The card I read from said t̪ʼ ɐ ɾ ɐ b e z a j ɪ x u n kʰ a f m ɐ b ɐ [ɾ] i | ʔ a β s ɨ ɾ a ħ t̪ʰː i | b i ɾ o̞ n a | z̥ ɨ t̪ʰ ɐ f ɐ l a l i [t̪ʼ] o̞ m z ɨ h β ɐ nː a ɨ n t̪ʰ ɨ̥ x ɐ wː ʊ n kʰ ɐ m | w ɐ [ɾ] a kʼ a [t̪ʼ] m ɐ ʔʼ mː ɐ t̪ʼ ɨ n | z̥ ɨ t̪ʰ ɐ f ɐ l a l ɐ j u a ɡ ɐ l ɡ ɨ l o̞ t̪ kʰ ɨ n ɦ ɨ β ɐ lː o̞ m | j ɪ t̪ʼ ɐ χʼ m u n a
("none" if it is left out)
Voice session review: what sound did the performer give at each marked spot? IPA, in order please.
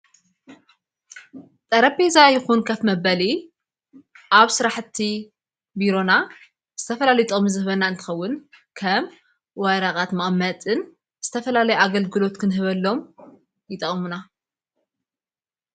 l, t̪ʼ, ɾ, t̪

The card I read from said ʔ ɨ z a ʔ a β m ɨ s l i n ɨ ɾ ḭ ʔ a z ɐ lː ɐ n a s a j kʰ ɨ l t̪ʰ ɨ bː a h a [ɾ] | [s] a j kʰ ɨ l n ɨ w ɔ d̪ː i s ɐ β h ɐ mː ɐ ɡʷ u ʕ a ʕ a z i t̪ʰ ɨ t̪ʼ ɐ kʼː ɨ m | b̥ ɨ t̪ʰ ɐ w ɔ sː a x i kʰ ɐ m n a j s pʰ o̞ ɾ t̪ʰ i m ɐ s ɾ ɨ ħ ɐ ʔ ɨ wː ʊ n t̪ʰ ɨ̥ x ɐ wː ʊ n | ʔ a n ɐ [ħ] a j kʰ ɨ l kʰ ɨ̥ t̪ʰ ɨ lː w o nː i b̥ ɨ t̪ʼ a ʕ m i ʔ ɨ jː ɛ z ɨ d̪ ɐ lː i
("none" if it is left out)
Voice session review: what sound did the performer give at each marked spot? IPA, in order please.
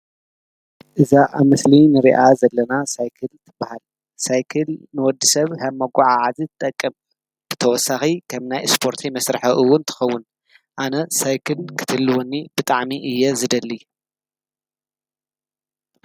l, s, s

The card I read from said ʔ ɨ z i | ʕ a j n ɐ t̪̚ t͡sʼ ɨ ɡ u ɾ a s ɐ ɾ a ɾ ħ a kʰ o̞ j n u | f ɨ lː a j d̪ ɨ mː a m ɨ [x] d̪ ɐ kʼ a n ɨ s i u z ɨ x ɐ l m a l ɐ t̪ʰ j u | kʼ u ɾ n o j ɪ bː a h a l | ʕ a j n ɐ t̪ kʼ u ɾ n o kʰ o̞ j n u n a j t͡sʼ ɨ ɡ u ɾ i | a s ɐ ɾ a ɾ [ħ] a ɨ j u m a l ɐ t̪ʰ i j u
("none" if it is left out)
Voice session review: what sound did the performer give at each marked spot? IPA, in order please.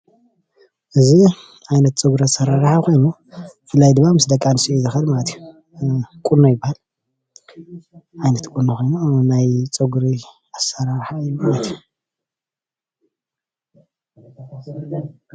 s, ħ

